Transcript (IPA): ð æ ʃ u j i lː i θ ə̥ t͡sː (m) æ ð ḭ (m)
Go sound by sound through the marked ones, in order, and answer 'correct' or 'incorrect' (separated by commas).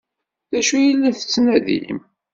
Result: incorrect, correct